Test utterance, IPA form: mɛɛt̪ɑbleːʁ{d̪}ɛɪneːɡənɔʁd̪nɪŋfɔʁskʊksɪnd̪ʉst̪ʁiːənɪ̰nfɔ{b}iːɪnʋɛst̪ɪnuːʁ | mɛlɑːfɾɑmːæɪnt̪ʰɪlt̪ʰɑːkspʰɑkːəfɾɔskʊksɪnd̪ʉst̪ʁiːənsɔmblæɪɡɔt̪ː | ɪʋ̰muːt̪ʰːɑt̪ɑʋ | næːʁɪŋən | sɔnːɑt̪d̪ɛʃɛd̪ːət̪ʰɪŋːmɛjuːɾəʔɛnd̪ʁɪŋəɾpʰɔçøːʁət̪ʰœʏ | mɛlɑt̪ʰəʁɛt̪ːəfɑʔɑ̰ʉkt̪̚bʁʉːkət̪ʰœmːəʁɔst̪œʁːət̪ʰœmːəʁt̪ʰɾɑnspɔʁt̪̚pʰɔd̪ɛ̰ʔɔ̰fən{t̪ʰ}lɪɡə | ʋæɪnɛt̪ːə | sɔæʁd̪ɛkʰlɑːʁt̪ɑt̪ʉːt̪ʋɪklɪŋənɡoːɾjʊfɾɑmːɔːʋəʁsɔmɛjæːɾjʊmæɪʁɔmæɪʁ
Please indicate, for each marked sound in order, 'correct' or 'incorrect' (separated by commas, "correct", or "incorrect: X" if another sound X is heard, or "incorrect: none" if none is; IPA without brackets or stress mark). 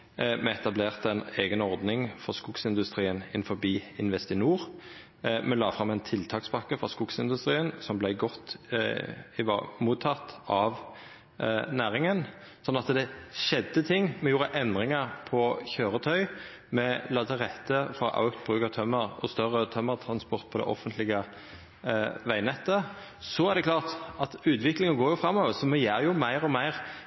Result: incorrect: t̪, correct, incorrect: t̪